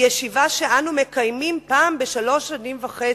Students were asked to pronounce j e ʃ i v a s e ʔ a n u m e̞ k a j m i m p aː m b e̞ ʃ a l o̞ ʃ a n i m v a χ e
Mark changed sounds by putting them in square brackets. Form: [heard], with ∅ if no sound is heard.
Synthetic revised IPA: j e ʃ i v a [ʃ] e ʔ a n u m e̞ k a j m i m p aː m b e̞ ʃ a l o̞ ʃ a n i m v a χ e